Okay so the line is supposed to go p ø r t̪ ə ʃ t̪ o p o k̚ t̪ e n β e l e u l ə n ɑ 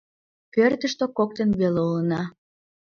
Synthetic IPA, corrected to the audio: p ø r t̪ ə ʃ t̪ o k o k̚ t̪ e n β e l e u l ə n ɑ